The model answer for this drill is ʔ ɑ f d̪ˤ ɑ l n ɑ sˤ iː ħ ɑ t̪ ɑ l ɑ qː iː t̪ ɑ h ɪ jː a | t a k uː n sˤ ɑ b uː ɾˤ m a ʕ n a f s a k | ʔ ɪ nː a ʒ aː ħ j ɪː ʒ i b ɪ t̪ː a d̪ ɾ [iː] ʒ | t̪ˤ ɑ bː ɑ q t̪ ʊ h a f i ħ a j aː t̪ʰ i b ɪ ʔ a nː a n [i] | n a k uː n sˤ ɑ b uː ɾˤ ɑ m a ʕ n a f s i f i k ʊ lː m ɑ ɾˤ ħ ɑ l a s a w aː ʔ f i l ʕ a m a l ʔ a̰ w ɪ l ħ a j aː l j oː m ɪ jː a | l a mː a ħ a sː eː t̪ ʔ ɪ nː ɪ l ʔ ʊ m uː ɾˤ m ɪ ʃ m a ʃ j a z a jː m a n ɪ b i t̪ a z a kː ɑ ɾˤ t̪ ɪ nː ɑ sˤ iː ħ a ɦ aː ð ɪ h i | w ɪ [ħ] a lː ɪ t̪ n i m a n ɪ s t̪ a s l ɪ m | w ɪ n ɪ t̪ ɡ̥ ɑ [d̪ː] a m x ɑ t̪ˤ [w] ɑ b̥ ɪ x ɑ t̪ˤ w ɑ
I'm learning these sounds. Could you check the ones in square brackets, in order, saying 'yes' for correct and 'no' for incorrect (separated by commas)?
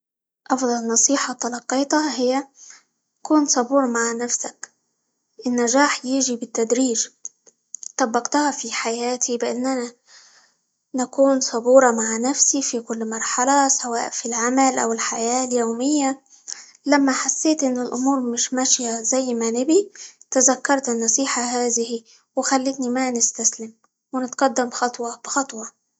yes, no, no, yes, yes